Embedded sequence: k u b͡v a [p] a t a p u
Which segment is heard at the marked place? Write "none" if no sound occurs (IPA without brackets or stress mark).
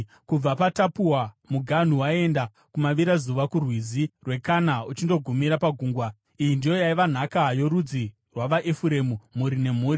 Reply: p